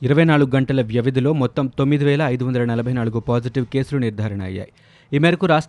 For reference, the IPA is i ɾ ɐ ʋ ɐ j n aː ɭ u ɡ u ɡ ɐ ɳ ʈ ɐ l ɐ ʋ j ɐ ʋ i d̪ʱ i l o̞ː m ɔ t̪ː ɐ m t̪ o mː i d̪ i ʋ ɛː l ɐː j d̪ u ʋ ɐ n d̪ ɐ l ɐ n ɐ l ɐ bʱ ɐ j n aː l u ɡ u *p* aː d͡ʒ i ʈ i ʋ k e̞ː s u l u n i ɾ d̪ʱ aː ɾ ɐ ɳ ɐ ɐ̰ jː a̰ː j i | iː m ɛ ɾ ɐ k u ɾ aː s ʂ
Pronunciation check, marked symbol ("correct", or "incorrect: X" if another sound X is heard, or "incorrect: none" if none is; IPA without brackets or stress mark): correct